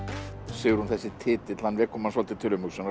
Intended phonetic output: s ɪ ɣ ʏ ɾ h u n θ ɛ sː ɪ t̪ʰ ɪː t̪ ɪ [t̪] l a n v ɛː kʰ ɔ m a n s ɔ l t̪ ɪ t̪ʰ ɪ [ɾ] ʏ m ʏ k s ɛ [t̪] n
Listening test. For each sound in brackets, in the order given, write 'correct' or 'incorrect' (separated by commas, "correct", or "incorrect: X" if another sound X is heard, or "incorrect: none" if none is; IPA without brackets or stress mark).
correct, incorrect: l, incorrect: none